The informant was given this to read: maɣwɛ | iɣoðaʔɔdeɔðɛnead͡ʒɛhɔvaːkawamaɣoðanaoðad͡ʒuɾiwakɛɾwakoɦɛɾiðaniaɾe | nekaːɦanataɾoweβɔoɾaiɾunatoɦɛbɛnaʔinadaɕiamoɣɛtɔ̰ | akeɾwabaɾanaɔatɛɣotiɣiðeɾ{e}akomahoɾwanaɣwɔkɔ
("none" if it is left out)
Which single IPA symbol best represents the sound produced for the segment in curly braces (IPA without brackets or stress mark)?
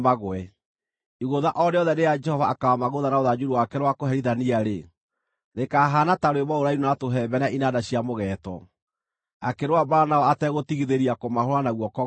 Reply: i